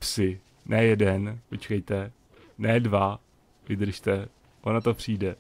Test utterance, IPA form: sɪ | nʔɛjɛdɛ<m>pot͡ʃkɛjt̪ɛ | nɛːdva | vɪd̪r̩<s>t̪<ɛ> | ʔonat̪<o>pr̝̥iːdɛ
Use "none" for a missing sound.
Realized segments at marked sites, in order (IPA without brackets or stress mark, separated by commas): n, ʃ, ɛ, o